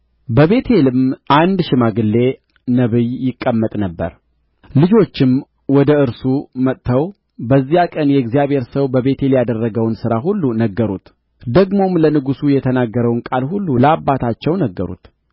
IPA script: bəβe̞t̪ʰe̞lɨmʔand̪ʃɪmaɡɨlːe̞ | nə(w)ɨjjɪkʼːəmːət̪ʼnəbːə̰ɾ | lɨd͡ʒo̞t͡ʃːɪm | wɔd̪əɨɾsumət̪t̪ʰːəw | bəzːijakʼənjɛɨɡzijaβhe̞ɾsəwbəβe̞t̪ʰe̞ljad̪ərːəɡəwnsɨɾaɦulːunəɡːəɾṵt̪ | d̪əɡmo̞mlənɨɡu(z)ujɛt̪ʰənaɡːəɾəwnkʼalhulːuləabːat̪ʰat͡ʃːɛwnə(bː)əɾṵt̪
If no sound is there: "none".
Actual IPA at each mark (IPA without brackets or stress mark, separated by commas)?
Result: β, s, ɡː